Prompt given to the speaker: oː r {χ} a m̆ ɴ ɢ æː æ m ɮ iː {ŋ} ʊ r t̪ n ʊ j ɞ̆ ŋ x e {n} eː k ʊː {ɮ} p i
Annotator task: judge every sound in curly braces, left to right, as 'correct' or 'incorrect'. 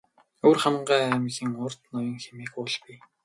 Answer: correct, correct, incorrect: m, correct

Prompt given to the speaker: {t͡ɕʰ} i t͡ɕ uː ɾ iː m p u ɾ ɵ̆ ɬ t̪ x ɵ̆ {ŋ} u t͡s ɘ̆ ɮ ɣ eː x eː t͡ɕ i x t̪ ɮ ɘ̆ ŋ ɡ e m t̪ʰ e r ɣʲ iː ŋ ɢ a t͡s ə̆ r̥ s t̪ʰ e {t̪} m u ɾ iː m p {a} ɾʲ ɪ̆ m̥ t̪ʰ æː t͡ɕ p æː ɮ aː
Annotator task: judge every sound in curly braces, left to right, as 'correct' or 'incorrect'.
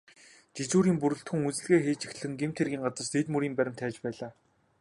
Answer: incorrect: t͡ɕ, correct, correct, incorrect: æ

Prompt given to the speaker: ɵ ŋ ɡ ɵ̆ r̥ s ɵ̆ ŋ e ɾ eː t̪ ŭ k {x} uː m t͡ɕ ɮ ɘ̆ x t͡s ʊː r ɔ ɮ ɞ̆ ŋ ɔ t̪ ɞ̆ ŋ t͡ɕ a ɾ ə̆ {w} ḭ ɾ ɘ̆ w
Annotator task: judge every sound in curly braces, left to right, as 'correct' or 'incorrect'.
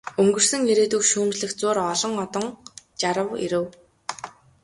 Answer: incorrect: ʃ, correct

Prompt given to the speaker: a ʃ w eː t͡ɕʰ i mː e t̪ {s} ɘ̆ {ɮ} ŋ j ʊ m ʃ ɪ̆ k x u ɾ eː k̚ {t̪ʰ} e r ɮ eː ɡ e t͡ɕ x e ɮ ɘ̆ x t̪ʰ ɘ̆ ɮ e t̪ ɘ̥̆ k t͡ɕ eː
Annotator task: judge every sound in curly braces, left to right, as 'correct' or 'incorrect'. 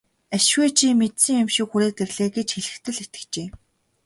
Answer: correct, incorrect: none, incorrect: t̪

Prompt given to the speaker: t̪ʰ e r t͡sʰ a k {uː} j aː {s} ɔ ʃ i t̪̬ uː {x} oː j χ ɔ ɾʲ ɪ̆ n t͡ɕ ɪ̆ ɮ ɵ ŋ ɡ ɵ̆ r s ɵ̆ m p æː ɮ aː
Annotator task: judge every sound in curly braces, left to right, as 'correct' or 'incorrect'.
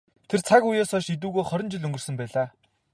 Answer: incorrect: u, correct, incorrect: ɣ

